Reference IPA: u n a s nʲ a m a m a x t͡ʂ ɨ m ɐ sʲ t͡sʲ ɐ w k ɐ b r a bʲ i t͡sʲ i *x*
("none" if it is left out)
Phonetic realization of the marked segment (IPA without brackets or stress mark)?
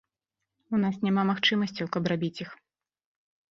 x